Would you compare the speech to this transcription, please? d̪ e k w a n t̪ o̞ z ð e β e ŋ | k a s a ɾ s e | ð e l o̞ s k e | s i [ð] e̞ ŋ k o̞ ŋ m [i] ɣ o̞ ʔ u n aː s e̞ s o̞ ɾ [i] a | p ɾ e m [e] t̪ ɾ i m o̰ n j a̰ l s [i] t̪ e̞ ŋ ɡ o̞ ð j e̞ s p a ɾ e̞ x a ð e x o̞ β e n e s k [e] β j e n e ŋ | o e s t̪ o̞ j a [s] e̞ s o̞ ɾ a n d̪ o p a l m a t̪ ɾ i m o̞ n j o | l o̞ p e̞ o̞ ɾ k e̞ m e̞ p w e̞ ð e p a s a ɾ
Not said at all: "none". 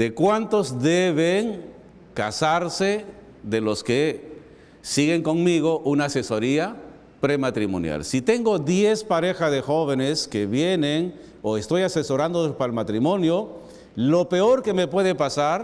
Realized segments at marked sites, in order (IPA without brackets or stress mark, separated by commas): ɣ, i, i, a, i, e, s